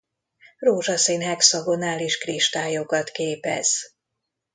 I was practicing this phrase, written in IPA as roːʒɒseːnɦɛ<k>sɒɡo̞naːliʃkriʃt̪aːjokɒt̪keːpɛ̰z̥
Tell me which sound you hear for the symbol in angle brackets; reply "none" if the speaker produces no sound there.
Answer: k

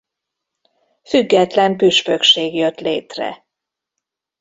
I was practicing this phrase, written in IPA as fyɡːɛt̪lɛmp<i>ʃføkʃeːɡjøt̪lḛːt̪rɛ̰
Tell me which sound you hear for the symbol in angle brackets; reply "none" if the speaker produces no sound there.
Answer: y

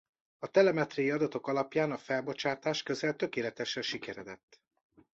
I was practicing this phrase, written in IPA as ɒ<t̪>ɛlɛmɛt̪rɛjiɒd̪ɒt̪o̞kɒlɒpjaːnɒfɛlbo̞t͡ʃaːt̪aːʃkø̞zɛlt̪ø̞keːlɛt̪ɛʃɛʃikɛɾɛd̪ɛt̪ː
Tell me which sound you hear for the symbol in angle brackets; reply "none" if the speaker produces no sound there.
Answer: t̪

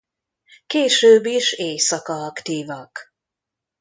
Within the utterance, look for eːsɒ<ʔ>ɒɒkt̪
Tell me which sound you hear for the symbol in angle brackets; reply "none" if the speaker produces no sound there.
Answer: k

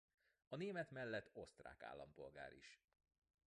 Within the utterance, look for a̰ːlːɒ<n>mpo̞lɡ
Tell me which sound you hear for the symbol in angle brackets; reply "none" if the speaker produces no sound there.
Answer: none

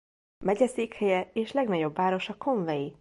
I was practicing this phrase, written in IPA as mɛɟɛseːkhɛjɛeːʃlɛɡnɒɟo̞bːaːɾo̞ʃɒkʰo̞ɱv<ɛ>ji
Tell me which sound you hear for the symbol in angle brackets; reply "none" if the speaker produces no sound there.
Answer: ɛ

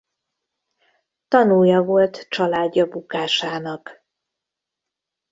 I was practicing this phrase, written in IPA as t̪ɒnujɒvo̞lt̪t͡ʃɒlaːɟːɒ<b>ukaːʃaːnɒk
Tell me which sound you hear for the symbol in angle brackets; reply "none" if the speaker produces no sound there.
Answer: b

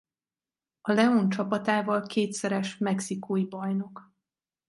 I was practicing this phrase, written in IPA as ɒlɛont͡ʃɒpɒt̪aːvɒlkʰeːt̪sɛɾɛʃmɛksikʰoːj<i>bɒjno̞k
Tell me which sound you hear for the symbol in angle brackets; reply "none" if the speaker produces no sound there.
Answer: i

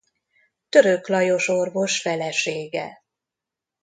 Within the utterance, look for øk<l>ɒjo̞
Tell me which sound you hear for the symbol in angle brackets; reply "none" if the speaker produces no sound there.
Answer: l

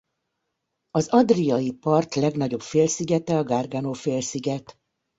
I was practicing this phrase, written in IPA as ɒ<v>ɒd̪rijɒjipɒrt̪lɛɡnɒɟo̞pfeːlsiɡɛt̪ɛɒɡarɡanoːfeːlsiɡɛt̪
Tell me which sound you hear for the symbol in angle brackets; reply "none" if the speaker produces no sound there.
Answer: z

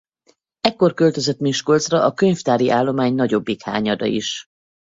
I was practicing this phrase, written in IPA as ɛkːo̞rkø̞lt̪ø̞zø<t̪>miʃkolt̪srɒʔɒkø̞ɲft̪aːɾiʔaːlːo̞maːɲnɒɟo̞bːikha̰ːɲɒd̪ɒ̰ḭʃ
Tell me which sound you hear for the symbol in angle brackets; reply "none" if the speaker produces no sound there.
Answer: t̪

